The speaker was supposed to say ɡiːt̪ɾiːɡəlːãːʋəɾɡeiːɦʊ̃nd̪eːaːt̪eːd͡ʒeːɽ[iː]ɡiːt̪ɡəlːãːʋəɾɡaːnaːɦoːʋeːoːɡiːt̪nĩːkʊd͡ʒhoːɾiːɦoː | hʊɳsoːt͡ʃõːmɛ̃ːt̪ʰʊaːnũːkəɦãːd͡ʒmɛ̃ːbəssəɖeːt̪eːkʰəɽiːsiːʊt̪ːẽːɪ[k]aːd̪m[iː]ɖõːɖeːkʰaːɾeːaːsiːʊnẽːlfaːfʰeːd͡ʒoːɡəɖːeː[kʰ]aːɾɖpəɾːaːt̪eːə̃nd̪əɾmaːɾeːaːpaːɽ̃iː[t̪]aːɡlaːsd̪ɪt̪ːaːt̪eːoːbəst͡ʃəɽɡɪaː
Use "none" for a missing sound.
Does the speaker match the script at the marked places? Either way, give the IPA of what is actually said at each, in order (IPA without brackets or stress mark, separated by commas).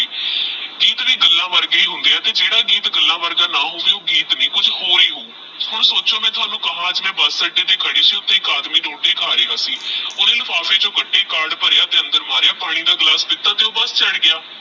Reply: aː, k, iː, k, d̪